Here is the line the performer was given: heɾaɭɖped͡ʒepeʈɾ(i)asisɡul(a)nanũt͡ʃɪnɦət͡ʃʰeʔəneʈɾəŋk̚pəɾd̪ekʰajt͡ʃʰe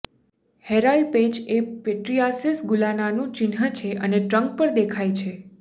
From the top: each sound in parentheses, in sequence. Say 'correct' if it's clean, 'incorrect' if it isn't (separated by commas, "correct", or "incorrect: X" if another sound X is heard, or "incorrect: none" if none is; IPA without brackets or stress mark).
correct, correct